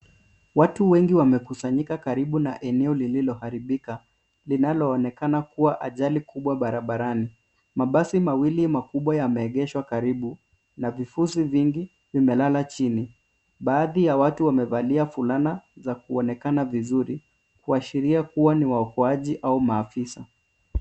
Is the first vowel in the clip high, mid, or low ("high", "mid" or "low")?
low